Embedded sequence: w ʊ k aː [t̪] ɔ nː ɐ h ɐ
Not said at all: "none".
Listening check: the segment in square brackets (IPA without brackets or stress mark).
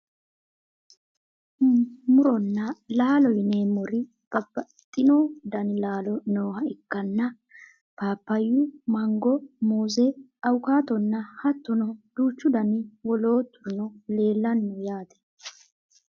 t̪